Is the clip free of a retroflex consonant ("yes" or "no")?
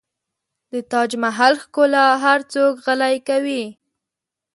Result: yes